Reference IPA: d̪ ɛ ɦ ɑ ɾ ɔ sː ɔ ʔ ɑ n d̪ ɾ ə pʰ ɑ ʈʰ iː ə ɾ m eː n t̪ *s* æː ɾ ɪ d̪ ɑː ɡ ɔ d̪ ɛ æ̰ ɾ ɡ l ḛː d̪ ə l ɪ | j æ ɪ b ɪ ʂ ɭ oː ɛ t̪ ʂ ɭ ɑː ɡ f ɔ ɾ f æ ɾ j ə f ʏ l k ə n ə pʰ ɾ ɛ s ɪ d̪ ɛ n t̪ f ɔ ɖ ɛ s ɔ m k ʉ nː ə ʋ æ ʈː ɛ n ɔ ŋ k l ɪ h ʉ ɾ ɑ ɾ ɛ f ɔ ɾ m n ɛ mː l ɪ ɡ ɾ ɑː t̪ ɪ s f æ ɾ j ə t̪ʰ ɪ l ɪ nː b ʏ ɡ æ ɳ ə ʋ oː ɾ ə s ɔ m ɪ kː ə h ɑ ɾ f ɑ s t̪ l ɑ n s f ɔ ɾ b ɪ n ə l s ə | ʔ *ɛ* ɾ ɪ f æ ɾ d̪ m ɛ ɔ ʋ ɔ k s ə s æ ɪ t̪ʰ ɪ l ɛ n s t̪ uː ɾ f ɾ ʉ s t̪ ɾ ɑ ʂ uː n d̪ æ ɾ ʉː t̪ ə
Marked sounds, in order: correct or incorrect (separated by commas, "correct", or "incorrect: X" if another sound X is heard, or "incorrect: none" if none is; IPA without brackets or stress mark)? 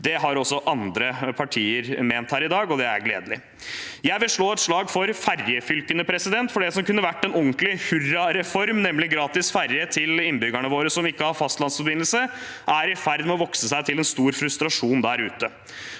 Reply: incorrect: h, incorrect: æ